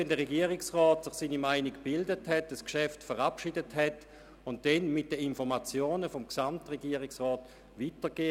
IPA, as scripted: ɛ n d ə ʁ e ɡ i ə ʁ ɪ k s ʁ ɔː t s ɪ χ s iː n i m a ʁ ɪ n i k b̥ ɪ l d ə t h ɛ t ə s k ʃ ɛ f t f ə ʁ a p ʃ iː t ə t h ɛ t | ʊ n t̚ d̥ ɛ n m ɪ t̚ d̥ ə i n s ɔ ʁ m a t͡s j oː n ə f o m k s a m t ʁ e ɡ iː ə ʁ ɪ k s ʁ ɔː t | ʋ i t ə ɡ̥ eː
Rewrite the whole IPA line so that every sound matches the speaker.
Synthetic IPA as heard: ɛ n d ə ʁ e ɡ i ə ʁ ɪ k s ʁ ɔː t s ɪ χ s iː n i m a ɪ n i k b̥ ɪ l d ə t h ɛ t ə s k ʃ ɛ f t f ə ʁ a p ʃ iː d ə t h ɛ t | ʊ n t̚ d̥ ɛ n m ɪ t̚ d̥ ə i n f ɔ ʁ m a t͡s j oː n ə f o m k s a m t ʁ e ɡ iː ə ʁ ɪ k s ʁ ɔː t | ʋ i t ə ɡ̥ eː